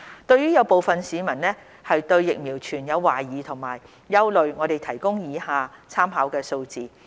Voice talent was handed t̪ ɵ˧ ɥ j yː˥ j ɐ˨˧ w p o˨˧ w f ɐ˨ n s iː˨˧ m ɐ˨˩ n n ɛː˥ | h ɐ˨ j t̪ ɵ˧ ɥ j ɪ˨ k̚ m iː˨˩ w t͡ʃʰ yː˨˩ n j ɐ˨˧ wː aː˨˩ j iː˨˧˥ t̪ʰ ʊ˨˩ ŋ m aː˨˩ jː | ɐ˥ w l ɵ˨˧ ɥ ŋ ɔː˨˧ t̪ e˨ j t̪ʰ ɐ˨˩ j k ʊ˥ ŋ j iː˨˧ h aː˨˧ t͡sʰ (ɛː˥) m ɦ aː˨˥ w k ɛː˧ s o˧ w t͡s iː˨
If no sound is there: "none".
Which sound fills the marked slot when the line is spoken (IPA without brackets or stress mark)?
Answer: aː˥